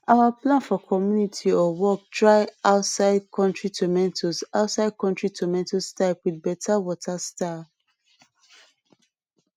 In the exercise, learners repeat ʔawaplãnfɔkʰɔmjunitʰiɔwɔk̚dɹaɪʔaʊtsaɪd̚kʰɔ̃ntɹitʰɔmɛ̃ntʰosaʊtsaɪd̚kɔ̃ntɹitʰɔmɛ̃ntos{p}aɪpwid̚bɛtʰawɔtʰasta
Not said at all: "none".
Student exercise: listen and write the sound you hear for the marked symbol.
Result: t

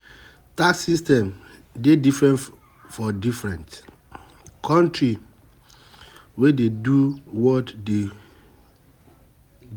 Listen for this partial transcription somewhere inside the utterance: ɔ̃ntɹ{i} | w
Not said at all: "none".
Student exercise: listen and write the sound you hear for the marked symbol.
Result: i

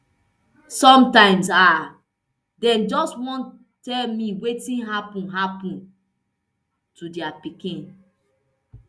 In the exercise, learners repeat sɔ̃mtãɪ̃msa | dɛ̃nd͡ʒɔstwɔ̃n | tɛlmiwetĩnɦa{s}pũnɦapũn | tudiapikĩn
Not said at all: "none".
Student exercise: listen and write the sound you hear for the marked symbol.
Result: none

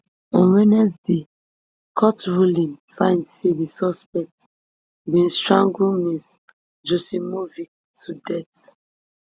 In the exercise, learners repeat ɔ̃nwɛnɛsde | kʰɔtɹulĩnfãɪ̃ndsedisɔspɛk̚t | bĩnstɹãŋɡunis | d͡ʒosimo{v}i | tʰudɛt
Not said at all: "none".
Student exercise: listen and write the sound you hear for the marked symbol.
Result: v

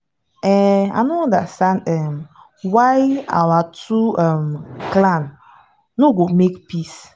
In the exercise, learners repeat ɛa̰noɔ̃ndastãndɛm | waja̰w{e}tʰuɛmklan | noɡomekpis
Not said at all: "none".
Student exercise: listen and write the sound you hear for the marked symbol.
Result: a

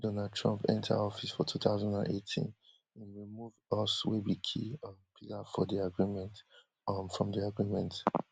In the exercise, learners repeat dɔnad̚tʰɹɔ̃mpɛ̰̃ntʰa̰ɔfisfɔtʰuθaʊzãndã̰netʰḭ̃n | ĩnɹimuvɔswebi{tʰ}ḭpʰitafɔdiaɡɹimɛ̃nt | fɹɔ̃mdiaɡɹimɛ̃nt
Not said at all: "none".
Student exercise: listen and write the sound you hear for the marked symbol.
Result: kʰ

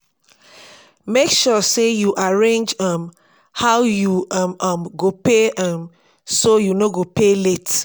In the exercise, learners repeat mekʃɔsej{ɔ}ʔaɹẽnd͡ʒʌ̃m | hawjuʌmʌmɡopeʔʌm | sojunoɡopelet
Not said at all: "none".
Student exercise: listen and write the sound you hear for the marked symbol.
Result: u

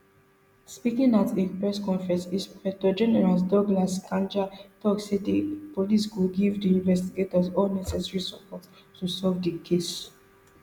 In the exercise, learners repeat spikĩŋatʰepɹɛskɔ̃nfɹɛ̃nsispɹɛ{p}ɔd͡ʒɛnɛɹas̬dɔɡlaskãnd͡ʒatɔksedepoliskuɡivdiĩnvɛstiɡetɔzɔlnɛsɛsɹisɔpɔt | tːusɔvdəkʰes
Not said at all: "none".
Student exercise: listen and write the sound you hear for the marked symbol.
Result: t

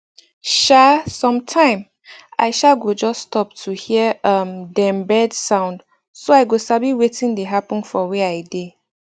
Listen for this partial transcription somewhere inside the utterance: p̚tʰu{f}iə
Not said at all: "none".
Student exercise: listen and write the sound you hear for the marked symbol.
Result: h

